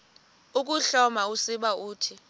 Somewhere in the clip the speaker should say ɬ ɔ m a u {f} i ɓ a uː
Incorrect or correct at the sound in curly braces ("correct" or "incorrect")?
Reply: incorrect